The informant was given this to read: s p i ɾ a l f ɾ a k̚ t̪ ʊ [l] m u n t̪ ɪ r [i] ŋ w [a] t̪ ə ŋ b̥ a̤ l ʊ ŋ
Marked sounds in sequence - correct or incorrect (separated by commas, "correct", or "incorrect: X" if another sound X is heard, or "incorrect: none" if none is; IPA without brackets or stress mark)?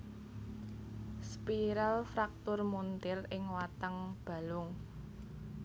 incorrect: r, incorrect: ɪ, correct